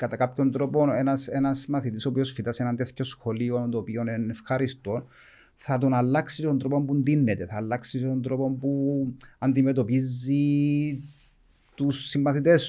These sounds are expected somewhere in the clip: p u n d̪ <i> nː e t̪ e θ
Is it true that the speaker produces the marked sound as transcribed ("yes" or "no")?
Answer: yes